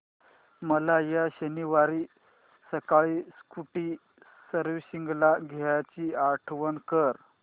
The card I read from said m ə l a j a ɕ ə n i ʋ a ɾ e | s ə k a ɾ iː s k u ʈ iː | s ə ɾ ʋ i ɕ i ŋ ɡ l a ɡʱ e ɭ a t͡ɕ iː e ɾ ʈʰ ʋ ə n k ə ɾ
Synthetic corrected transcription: m ə l a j a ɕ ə n i ʋ a ɾ i | s ə k a ɭ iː s k u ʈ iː | s ə ɾ ʋ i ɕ i ŋ ɡ l a ɡʱ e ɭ a t͡ɕ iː a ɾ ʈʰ ʋ ə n k ə ɾ

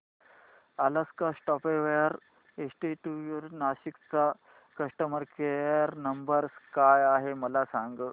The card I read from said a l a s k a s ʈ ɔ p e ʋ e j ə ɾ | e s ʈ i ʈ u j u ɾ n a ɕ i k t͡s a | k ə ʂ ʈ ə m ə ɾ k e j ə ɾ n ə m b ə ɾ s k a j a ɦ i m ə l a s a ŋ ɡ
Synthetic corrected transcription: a l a s k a s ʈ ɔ p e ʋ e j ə ɾ | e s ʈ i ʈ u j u ɾ n a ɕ i k t͡s a | k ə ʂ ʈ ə m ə ɾ k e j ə ɾ n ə m b ə ɾ s k a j a ɦ e m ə l a s a ŋ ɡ

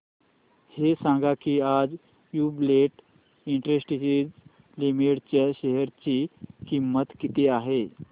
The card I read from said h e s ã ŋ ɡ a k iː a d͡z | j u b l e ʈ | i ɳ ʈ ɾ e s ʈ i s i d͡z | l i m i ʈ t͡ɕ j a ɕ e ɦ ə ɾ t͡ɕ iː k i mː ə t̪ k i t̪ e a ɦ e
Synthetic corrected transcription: h e s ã ŋ ɡ a k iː a d͡z | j u b l e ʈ | i ɳ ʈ ɾ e s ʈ i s i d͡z | l i m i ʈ t͡ɕ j a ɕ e ɦ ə ɾ t͡ɕ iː k i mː ə t̪ k i t̪ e a ɦ e

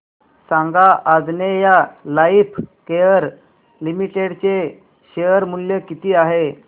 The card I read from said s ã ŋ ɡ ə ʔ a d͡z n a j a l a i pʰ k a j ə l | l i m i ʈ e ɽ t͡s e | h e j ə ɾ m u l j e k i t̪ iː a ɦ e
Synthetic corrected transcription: s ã ŋ ɡ a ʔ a d͡z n e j a l a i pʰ k e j ə ɾ | l i m i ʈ e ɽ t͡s e | ɕ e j ə ɾ m u l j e k i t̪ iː a ɦ e

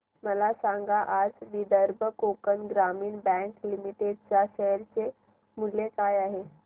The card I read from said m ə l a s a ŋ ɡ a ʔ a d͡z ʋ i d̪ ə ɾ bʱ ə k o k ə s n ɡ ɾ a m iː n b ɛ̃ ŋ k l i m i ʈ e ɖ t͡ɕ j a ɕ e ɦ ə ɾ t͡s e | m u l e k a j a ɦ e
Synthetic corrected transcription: m ə l a s a ŋ ɡ a ʔ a d͡z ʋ i d̪ ə ɾ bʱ ə k o k ə n ɡ ɾ a m iː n b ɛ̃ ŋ k l i m i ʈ e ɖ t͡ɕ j a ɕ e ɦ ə ɾ t͡s e | m u l e k a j a ɦ e

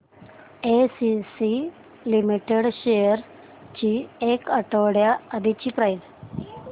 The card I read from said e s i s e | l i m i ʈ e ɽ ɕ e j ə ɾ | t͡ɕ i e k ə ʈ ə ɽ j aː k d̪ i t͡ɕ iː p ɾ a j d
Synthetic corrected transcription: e s i s i | l i m i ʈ e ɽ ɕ e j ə ɾ | t͡ɕ i e k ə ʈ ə ɽ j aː d̪ i t͡ɕ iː p ɾ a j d

